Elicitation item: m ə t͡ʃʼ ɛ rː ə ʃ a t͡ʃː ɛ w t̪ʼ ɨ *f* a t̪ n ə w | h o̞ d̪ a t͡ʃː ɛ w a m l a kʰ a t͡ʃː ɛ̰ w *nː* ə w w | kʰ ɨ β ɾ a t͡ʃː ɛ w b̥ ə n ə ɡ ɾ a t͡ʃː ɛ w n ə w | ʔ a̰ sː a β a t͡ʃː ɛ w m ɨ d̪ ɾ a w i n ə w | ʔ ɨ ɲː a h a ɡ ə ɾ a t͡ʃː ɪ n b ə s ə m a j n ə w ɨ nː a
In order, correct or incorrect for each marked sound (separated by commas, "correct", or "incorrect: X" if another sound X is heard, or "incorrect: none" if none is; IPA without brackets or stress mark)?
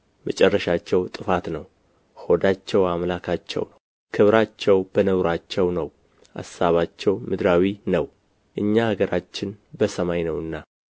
correct, incorrect: n